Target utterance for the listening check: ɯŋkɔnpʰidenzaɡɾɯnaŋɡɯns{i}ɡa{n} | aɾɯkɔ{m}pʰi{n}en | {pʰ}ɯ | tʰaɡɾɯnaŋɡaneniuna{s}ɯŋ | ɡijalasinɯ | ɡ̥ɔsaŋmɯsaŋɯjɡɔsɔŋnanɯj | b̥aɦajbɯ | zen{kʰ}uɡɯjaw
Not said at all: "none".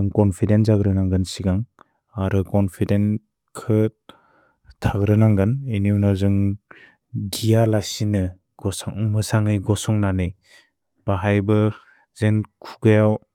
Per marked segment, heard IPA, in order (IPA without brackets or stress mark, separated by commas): i, ŋ, n, d, kʰ, z, kʰ